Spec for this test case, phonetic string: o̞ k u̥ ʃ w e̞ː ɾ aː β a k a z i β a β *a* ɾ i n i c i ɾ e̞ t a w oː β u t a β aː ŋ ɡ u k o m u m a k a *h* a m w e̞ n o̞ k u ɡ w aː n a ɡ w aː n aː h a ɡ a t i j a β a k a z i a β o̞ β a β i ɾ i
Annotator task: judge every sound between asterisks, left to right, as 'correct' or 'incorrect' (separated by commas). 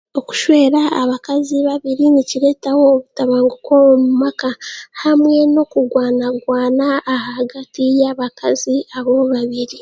incorrect, correct